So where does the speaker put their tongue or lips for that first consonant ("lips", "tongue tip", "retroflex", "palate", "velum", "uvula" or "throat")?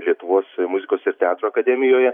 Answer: tongue tip